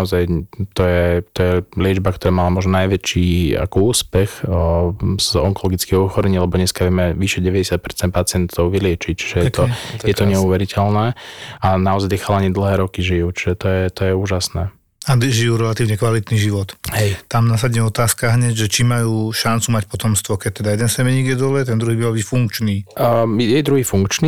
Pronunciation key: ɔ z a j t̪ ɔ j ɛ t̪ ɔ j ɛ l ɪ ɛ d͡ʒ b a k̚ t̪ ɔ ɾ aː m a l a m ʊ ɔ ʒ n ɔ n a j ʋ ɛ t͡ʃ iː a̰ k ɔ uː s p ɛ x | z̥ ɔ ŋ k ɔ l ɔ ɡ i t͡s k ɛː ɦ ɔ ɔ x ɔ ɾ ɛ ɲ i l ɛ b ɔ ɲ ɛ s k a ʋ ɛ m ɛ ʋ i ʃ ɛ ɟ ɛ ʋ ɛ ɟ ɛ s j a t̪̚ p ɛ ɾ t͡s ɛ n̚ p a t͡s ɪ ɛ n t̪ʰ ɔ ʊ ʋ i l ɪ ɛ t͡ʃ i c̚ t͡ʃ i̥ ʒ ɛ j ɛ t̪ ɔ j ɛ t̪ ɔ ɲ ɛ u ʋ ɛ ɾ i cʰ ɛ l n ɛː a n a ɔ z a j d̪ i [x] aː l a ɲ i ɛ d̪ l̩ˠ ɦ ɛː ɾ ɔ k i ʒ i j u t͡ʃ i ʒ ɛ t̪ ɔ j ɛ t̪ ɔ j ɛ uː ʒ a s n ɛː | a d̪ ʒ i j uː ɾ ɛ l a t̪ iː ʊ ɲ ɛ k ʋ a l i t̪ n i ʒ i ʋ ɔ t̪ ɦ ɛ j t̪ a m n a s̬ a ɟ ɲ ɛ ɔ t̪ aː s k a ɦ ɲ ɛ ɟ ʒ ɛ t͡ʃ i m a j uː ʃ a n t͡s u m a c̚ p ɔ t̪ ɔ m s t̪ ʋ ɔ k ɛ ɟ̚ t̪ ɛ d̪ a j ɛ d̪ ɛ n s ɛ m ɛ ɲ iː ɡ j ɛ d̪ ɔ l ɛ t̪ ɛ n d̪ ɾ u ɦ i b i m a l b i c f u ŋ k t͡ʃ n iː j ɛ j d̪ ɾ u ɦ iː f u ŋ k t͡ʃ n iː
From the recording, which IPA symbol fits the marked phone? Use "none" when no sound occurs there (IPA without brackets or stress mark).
x